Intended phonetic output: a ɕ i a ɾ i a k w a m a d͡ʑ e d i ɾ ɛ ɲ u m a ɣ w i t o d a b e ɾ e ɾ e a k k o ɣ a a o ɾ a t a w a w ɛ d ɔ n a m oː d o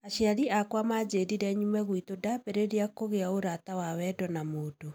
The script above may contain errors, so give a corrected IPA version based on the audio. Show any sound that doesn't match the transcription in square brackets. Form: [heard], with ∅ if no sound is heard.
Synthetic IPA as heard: a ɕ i a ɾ i a k w a m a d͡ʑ e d i ɾ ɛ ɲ u m [ɛ] ɣ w i t o d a b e ɾ e ɾ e a k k o ɣ [e] a o ɾ a t a w a w ɛ d ɔ n a m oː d o